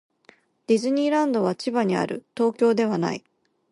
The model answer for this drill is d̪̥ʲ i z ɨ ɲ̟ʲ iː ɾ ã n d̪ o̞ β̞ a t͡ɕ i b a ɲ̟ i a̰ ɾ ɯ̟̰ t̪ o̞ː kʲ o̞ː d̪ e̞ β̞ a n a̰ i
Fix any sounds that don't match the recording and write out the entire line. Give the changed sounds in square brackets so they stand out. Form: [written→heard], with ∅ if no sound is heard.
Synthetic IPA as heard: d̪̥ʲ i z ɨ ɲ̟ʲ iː ɾ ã n d̪ o̞ β̞ a t͡ɕ i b a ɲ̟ i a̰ ɾ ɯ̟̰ t̪ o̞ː kʲ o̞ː d̪ e̞ β̞ a n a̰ i